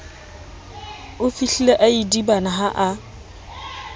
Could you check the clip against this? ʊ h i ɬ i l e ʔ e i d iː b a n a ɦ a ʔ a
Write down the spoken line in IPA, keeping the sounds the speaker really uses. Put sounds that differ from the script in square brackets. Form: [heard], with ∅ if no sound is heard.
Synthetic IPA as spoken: ʊ [f] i ɬ i l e ʔ [a] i d [i] b a n a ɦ a ʔ a